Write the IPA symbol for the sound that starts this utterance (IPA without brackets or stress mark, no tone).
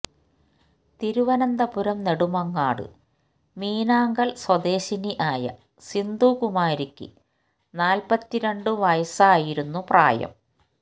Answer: t̪